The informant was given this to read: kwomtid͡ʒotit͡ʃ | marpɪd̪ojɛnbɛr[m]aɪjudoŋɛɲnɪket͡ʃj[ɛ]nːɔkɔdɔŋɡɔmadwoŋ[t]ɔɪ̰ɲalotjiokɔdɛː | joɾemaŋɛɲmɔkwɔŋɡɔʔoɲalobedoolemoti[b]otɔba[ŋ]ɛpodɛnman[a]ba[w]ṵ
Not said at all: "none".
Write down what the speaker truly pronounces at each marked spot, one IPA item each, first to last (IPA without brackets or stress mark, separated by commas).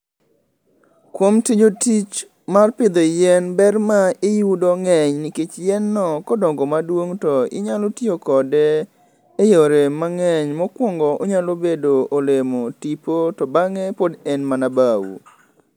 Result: m, ɛ, t, p, ŋ, a, w